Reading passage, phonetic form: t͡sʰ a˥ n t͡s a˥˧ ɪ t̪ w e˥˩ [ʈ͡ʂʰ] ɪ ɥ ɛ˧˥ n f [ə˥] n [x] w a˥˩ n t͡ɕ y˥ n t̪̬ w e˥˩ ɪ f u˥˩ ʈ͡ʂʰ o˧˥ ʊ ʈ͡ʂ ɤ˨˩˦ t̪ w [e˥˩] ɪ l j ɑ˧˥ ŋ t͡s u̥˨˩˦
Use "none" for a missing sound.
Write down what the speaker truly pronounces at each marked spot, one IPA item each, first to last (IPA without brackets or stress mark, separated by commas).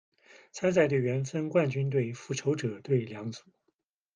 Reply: none, ə˥, k, e˥˩